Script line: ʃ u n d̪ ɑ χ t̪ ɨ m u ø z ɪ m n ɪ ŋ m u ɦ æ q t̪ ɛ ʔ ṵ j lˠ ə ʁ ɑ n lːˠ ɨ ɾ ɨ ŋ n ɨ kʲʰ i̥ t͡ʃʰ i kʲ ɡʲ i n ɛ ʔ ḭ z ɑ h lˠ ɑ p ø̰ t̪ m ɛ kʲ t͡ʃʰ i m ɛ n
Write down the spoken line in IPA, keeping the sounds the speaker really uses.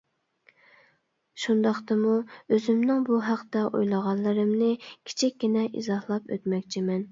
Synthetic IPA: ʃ u n d̪ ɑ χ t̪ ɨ m u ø z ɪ m n ɪ ŋ b u ɦ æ q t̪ ɛ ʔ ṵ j lˠ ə ʁ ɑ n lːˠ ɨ ɾ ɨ m n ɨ kʲʰ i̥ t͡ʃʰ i kʲ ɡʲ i n ɛ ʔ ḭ z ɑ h lˠ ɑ p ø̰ t̪ m ɛ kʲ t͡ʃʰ i m ɛ n